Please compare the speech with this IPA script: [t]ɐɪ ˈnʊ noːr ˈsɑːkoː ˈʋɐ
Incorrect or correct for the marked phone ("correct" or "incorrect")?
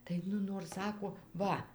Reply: correct